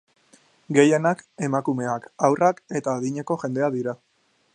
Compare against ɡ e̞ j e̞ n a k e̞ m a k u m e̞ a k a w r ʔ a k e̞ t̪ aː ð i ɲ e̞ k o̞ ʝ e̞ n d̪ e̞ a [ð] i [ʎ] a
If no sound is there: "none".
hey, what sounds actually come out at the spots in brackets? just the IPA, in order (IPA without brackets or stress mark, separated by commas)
ð, ɾ